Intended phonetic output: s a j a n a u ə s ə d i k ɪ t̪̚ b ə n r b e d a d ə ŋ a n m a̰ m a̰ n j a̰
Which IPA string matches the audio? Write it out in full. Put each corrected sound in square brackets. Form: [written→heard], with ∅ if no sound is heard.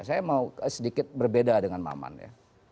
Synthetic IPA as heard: s a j a [n→m] a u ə s ə d i k ɪ t̪̚ b ə [n→∅] r b e d a d ə ŋ a n m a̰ m a̰ n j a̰